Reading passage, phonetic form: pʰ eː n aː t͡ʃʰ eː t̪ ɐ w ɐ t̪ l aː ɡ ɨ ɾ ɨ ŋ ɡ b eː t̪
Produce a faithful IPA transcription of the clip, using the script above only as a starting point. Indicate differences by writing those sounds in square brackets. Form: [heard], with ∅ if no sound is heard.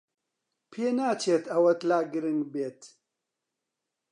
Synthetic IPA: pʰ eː n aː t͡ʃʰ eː t̪ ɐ w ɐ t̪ l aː ɡ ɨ ɾ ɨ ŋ ɡ b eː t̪